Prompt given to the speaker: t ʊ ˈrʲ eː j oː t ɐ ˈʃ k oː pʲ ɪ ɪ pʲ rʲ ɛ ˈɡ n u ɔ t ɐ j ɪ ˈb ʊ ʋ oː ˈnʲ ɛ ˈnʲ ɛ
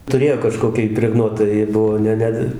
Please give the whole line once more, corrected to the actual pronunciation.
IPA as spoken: t ʊ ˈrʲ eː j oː k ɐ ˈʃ k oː kʲ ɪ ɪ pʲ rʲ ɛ ˈɡ n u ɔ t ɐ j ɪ ˈb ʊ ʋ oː ˈnʲ ɛ ˈnʲ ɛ